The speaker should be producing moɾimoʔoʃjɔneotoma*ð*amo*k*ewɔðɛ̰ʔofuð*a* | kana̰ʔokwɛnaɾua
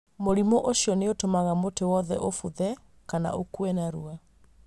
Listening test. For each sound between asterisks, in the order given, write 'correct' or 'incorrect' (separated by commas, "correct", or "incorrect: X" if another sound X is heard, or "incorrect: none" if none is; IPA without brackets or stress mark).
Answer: incorrect: ɣ, incorrect: t, incorrect: ɛ